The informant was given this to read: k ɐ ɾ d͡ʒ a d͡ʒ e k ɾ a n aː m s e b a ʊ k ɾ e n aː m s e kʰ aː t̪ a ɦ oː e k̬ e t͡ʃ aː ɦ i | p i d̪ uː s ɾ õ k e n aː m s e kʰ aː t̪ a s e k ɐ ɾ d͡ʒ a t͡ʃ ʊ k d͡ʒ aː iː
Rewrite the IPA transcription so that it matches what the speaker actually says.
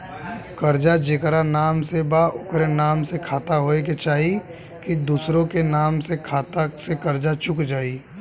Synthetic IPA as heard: k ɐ ɾ d͡ʒ a d͡ʒ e k ɾ a n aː m s e b a ʊ k ɾ e n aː m s e kʰ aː t̪ a ɦ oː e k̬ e t͡ʃ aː ɦ i | k i d̪ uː s ɾ õ k e n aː m s e kʰ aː t̪ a s e k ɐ ɾ d͡ʒ a t͡ʃ ʊ k d͡ʒ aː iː

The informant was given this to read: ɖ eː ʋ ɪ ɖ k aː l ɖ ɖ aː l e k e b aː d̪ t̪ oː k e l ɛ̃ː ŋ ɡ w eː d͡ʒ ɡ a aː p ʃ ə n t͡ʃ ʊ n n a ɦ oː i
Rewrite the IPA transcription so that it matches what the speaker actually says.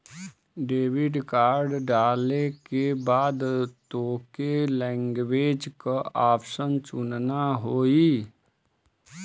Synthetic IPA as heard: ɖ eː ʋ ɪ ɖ k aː ɾ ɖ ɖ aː l e k e b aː d̪ t̪ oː k e l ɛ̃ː ŋ ɡ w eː d͡ʒ k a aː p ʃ ə n t͡ʃ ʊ n n a ɦ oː i

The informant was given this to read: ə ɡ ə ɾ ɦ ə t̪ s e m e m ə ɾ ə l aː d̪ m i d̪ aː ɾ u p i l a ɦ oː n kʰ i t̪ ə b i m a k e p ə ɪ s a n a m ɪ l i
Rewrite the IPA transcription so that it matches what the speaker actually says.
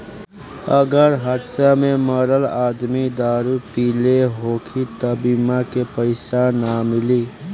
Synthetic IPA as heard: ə ɡ ə ɾ ɦ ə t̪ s a m e m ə ɾ ə l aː d̪ m i d̪ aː ɾ u p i l e ɦ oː kʰ i t̪ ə b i m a k e p ə ɪ s a n a m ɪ l i

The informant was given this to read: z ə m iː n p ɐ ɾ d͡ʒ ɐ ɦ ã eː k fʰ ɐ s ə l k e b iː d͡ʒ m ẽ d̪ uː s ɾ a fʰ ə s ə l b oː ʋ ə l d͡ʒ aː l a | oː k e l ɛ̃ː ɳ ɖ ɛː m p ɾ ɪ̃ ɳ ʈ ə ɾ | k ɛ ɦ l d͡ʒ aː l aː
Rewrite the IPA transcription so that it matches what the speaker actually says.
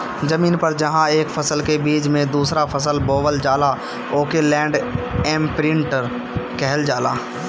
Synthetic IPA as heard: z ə m iː n p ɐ ɾ d͡ʒ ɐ ɦ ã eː k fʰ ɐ s ə l k e b iː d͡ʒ m ẽ d̪ uː s ɾ a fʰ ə s ə l b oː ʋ ə l d͡ʒ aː l a | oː k e l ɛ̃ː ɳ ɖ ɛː m p ɾ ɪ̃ ɳ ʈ ə ɾ | k ɛ ɦ l d͡ʒ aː l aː

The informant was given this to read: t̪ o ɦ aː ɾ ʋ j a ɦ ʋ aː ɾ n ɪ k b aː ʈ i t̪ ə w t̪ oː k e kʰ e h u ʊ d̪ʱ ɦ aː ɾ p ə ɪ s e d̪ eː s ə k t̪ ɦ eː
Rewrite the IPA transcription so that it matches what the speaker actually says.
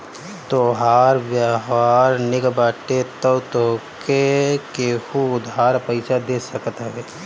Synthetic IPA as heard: t̪ o ɦ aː ɾ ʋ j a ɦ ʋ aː ɾ n ɪ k b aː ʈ e t̪ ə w t̪ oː k e k e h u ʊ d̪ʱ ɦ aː ɾ p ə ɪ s a d̪ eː s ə k t̪ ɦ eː

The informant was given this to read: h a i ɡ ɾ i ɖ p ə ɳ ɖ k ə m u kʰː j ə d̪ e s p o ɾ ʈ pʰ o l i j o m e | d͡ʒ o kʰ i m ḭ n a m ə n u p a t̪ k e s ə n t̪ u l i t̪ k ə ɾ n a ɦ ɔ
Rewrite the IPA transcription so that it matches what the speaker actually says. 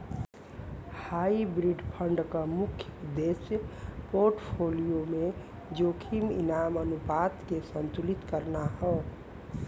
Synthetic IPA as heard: h a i b ɾ i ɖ pʰ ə ɳ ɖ k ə m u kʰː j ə d̪ e s p o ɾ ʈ pʰ o l i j o m e | d͡ʒ o kʰ i m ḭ n a m ə n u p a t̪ k e s ə n t̪ u l i t̪ k ə ɾ n a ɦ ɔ

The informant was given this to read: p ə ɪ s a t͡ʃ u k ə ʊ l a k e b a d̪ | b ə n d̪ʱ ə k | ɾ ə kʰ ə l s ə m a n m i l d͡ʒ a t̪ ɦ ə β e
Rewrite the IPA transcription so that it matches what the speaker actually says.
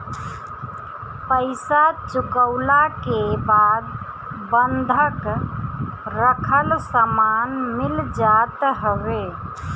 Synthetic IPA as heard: p ə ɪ s a t͡ʃ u k ə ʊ l a k e b a d̪ | b ə n d̪ʱ ə k | ɾ ə kʰ ə l s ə m a n m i l d͡ʒ a t̪ ɦ ə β e

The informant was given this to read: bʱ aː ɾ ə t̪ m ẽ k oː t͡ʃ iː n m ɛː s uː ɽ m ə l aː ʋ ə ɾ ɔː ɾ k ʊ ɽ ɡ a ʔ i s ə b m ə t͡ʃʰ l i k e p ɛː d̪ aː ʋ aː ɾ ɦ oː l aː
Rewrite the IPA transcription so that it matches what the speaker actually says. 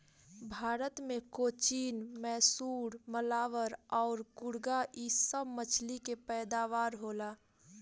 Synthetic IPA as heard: bʱ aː ɾ ə t̪ m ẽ k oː t͡ʃ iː n m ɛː s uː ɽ m ə l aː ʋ ə ɾ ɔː ɾ k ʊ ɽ ɡ a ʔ i s ə b m ə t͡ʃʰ l i k e p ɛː d̪ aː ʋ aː ɾ ɦ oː l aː

